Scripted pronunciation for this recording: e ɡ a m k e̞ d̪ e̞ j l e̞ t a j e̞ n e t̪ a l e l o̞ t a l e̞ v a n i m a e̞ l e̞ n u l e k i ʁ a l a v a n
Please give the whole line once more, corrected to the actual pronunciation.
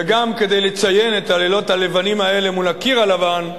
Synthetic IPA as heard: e ɡ a m k e̞ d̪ e̞ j l e̞ t͡s a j e̞ n e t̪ a l e l o̞ t a l e̞ v a n i m a e̞ l e̞ m u l a k i ʁ a l a v a n

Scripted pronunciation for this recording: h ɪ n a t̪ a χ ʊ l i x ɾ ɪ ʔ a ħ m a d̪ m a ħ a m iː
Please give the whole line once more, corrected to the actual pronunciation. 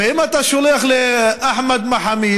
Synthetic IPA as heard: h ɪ m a t̪ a ʃ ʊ l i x l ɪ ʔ a ħ m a d̪ m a ħ a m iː

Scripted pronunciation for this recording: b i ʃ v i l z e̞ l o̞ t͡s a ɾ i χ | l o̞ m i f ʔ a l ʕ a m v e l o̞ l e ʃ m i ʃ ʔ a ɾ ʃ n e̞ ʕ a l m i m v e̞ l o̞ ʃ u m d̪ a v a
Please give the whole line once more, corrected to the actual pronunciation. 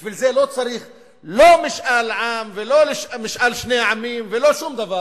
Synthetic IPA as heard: b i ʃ v i l z e̞ l o̞ t͡s a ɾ i χ | l o̞ m i ʃ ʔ a l ʕ a m v e l o̞ l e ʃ m i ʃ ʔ a l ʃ n e̞ ʕ a m i m v e̞ l o̞ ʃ u m d̪ a v a

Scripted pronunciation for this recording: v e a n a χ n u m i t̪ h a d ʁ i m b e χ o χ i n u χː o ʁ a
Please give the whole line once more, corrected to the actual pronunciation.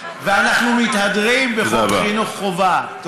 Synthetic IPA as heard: v e a n a χ n u m i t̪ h a d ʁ i m b e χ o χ i n u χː o v a

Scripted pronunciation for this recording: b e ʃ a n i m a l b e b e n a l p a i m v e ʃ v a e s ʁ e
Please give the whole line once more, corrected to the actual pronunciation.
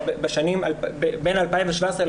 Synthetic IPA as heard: b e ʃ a n i m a l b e b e n a l p a i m v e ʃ v a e s ʁ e

